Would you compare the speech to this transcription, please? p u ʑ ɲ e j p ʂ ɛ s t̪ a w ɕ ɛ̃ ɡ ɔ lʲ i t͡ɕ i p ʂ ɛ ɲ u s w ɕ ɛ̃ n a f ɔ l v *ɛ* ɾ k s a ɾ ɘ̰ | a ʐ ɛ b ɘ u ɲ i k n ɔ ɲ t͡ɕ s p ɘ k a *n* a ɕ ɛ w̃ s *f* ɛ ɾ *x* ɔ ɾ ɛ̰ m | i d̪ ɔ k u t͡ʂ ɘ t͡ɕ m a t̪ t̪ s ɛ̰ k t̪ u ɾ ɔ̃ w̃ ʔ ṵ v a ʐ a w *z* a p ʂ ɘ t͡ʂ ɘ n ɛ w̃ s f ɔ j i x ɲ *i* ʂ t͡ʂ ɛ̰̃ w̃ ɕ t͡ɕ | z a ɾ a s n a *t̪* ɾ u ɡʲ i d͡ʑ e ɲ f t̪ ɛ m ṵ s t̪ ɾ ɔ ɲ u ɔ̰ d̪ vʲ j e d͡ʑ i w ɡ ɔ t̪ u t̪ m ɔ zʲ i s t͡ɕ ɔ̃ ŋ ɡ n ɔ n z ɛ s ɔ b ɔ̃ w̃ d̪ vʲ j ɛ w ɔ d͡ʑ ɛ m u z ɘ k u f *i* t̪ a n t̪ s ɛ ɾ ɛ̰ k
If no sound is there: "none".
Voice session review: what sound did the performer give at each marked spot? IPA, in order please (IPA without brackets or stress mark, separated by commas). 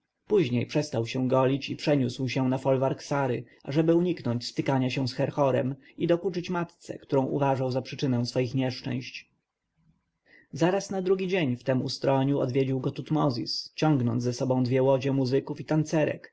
a, ɲ, x, x, z, ɛ, d̪, i